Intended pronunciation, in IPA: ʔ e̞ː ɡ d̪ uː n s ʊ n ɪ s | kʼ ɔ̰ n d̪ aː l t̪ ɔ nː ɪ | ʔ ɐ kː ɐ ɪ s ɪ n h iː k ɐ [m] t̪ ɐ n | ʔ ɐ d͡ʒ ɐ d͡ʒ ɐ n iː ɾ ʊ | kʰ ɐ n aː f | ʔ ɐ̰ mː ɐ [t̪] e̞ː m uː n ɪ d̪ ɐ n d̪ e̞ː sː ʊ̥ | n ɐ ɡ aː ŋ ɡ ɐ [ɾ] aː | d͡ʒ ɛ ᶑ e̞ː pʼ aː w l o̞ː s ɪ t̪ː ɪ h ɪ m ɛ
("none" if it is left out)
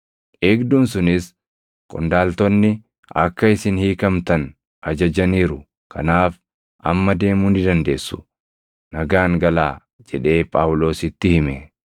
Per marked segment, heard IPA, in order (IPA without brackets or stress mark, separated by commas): m, d̪, l